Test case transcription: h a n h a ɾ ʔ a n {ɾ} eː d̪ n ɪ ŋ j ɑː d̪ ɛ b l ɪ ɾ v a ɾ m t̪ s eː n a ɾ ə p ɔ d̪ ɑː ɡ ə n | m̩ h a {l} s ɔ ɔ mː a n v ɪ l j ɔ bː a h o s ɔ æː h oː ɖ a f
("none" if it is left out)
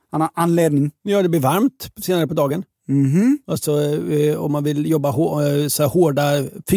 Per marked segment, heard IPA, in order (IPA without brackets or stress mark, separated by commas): l, l